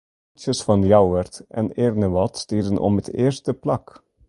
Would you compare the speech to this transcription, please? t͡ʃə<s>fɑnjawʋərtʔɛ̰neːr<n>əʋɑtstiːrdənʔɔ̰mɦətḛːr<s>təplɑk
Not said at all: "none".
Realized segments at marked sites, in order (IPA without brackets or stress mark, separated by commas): s, n, s